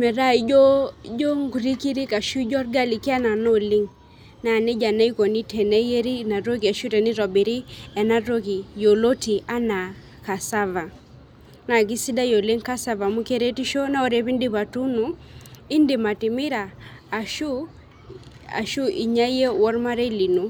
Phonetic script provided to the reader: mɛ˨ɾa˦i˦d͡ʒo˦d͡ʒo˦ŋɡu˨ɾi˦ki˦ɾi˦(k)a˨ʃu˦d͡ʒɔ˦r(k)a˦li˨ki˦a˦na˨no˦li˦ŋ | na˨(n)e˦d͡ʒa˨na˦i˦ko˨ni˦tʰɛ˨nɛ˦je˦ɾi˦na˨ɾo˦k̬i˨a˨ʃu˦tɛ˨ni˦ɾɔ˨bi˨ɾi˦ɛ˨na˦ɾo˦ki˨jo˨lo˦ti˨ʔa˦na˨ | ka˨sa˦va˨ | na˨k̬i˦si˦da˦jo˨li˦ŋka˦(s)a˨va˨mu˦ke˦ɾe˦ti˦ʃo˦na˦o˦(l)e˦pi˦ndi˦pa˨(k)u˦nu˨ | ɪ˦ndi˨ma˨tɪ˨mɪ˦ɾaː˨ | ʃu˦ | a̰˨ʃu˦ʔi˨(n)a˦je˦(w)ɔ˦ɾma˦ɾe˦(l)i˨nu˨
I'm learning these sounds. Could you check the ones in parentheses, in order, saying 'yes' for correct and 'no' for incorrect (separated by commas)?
yes, no, yes, yes, no, no, no, yes, yes